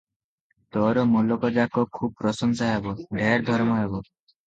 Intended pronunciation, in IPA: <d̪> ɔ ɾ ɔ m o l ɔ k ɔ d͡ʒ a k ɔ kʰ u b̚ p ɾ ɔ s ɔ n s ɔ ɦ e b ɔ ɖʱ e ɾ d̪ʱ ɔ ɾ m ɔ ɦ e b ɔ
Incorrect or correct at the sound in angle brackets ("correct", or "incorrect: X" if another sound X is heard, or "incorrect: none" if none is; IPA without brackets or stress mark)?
incorrect: t̪